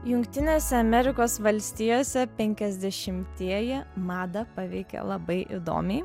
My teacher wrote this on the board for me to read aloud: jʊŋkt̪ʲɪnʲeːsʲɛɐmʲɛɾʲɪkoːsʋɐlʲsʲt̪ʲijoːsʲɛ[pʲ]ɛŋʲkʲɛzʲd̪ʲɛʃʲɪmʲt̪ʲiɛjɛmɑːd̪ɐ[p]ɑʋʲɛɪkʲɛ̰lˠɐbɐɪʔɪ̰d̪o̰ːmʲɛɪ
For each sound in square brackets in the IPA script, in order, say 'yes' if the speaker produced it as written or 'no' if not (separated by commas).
yes, yes